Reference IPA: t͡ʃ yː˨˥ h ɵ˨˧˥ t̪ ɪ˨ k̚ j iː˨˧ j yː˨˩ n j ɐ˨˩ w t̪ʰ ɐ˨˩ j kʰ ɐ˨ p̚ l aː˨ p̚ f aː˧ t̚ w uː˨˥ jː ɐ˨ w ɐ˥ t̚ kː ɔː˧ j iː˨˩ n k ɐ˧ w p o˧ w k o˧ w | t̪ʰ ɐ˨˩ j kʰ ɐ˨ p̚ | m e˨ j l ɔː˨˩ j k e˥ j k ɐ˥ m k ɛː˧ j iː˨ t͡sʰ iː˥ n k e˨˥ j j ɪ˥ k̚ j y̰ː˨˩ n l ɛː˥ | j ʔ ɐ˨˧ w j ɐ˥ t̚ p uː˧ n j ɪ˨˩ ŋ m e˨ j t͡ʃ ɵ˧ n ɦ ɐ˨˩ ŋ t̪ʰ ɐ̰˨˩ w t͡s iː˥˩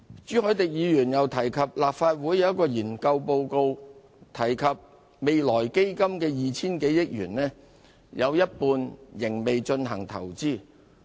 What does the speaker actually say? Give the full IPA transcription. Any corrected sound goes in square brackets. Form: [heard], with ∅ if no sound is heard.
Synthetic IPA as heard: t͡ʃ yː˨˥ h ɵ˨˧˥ t̪ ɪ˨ k̚ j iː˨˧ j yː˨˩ n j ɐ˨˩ w t̪ʰ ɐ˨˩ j kʰ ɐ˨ p̚ l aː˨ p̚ f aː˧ t̚ w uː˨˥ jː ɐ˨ w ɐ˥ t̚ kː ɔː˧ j iː˨˩ n k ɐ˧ w p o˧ w k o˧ w | t̪ʰ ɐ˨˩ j kʰ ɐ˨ p̚ | m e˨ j l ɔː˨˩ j k e˥ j k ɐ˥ m k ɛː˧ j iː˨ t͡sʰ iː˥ n k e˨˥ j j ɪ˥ k̚ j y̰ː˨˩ n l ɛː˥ | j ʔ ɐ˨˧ w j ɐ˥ t̚ p uː˧ n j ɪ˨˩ ŋ m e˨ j t͡ʃ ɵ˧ n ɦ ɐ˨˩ ŋ t̪ʰ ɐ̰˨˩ w t͡s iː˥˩